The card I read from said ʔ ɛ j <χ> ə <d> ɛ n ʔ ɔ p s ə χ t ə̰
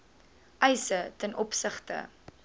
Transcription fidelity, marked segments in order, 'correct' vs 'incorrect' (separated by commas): incorrect, incorrect